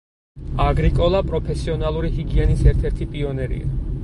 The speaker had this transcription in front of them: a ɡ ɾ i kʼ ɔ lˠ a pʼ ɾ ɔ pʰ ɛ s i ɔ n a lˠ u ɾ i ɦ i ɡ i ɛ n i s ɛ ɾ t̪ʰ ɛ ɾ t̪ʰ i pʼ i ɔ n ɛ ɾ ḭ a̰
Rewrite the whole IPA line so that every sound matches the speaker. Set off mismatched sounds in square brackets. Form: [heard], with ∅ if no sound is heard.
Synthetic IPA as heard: a ɡ ɾ i kʼ ɔ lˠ a pʼ ɾ ɔ pʰ ɛ s i ɔ n a lˠ u ɾ i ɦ i ɡ i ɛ n i s ɛ ɾ t̪ʰ ɛ ɾ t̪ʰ i pʼ i ɔ n ɛ ɾ ḭ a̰